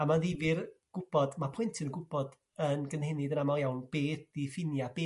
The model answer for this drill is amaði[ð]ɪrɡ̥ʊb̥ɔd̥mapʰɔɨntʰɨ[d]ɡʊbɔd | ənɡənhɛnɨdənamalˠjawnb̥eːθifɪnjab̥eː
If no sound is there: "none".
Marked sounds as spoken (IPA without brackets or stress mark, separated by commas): v, n